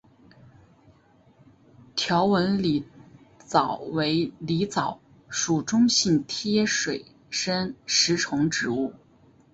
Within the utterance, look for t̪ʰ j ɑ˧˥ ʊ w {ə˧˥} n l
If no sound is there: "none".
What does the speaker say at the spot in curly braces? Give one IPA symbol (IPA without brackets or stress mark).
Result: ə˧˥